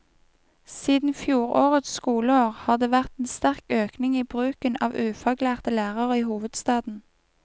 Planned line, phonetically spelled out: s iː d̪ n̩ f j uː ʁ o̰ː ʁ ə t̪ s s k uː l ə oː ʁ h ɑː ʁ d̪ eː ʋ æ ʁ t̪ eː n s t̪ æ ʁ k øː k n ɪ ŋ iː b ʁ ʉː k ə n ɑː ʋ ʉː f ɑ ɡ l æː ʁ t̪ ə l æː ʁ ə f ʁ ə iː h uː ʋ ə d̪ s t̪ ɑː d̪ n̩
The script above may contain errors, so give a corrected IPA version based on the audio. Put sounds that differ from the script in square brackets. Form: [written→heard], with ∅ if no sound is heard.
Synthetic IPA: s iː d̪ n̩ f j uː ʁ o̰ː ʁ ə t̪ s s k uː l ə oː ʁ h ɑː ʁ d̪ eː ʋ æ ʁ t̪ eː n s t̪ æ ʁ k øː k n ɪ ŋ iː b ʁ ʉː k ə n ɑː ʋ ʉː f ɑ ɡ l æː ʁ t̪ ə l æː ʁ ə [f→∅] ʁ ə iː h uː ʋ ə d̪ s t̪ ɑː d̪ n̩